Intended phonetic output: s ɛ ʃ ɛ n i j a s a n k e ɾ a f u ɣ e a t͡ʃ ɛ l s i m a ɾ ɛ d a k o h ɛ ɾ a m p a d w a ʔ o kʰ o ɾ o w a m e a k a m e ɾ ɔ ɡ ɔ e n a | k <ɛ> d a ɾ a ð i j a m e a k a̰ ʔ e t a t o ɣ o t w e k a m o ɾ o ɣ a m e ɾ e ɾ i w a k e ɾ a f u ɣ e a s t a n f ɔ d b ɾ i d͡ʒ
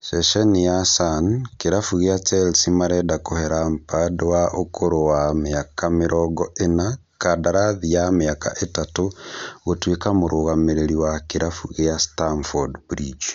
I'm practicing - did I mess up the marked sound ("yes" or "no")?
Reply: yes